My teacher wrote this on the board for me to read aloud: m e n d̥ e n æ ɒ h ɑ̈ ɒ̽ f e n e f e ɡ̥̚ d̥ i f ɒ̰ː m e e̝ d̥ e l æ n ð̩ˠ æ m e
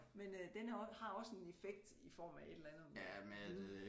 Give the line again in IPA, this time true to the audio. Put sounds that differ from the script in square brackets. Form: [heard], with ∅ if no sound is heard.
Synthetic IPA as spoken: m e n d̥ e n æ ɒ h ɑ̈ ɒ̽ [s] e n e f e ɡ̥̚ d̥ i f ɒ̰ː m [æ] e̝ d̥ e l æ n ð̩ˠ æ m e